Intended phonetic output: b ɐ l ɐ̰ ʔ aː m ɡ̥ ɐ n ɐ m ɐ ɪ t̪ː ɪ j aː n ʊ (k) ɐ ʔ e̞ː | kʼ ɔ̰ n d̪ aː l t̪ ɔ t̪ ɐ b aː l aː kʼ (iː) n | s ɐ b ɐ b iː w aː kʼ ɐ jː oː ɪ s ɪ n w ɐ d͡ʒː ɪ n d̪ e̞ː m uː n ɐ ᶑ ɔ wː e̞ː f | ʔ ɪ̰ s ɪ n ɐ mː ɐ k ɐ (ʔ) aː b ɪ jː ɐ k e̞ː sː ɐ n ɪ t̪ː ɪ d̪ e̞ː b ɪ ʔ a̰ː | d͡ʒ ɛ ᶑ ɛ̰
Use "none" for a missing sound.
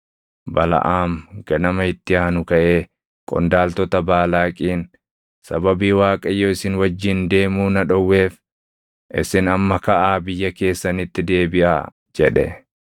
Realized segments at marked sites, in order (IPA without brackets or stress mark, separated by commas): k, iː, ʔ